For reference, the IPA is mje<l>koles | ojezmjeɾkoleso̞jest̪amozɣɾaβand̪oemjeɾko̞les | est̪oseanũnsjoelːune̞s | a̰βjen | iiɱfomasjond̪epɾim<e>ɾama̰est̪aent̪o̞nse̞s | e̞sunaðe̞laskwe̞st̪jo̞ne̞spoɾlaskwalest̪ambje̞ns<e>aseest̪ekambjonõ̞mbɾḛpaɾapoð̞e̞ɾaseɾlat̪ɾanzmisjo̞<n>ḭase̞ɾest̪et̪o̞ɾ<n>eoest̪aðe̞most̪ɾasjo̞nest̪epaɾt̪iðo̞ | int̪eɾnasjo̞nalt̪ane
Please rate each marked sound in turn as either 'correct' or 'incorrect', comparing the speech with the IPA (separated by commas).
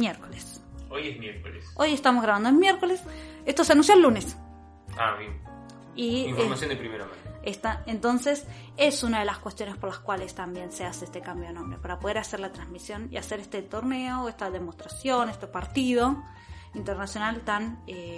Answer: incorrect, correct, correct, correct, correct